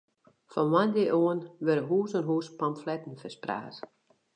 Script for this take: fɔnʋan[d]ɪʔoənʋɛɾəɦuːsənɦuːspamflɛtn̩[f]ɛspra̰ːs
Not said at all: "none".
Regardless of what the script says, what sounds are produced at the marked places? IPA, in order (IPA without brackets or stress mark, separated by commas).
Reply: d, f